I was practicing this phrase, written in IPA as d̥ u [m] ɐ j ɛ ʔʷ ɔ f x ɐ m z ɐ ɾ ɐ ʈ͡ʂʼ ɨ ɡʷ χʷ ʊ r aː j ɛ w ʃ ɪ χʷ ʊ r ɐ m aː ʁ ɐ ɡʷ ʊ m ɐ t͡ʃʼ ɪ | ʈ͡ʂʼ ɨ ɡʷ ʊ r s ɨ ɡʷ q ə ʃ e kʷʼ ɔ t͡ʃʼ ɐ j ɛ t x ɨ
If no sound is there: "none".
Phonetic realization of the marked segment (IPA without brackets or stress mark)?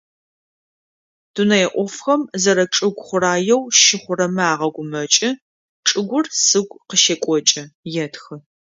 n